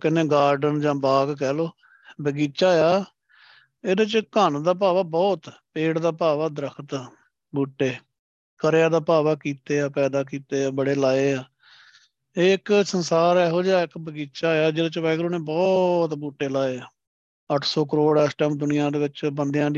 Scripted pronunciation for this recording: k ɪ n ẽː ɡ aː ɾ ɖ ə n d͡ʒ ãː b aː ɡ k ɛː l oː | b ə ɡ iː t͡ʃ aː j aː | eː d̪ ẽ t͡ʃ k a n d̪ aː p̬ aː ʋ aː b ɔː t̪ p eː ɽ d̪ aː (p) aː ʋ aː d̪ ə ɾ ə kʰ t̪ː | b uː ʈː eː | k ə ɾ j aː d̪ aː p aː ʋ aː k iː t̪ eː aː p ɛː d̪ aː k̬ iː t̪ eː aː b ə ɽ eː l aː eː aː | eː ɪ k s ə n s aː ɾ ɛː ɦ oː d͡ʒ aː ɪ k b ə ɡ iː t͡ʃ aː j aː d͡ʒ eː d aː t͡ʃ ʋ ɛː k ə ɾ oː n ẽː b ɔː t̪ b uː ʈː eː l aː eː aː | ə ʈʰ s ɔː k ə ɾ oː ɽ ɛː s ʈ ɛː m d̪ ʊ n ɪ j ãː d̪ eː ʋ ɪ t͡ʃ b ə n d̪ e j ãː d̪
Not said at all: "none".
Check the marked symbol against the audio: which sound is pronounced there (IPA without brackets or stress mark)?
p